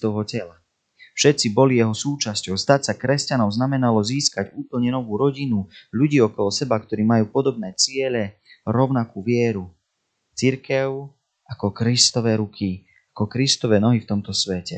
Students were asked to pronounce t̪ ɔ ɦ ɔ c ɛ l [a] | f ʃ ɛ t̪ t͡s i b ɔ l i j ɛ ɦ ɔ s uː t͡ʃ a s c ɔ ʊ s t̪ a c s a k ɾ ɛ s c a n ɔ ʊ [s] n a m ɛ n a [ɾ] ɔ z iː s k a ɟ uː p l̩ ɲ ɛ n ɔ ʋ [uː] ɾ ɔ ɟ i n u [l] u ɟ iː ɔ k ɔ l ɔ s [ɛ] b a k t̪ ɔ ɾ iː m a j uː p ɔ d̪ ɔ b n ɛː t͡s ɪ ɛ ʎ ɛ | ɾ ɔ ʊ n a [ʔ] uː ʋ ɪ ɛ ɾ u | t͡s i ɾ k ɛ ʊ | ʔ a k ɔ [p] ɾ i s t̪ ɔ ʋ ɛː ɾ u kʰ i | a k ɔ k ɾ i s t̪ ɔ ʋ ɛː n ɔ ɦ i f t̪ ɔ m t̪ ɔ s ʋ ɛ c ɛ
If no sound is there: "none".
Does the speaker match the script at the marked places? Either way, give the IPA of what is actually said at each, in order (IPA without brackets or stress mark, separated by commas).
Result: a, z, l, uː, ʎ, ɛ, k, k